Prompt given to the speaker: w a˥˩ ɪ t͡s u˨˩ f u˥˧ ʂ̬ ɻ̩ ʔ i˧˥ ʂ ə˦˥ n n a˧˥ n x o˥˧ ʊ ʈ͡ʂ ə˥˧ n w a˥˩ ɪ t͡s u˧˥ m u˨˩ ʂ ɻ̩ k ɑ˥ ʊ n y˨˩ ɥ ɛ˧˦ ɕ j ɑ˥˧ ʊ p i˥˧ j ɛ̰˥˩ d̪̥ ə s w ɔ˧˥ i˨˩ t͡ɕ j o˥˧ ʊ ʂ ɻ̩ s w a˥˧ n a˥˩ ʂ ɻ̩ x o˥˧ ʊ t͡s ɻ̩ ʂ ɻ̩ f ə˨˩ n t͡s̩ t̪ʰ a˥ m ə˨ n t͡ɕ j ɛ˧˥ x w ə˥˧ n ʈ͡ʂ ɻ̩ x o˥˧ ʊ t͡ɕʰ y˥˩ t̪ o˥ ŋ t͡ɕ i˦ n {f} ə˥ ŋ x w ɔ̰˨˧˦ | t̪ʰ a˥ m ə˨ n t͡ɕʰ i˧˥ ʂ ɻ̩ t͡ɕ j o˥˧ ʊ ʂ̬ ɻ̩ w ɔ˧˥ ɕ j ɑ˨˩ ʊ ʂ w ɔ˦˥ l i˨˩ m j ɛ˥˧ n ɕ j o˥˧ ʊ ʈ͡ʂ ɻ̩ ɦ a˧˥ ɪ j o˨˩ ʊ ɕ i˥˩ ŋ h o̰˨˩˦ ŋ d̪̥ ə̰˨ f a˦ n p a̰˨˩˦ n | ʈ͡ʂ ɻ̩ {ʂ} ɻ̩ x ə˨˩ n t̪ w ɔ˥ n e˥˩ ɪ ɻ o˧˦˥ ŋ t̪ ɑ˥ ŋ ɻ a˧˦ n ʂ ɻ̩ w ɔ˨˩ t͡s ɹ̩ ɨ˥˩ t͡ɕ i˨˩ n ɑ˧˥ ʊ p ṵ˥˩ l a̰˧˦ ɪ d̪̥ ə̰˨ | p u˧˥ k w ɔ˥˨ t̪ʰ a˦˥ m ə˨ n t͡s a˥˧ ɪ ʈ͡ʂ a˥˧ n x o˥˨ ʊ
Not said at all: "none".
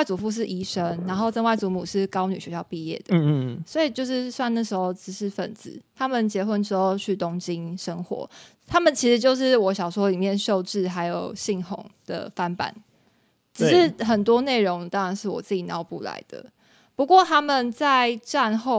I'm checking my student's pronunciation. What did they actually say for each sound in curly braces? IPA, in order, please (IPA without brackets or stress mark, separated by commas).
ʂ, ʂ